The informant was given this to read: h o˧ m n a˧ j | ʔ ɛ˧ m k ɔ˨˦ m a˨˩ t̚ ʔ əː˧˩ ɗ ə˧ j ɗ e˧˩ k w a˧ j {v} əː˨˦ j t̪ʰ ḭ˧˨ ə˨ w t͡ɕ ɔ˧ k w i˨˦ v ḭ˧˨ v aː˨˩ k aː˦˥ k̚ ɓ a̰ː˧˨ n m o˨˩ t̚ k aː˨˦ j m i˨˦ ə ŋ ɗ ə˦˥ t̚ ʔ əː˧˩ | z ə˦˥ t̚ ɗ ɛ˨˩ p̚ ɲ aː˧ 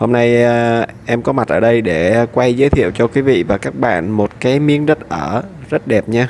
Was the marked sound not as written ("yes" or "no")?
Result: yes